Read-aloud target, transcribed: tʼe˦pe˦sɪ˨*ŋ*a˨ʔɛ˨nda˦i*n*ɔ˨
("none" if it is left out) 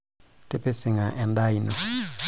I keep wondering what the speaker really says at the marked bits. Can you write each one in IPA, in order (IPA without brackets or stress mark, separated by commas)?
ŋ, n